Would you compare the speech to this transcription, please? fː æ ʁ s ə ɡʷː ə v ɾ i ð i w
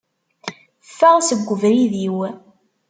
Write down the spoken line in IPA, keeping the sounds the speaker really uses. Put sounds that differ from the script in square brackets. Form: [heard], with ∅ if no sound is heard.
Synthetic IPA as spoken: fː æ ʁ s ə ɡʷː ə v ɾ i ð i w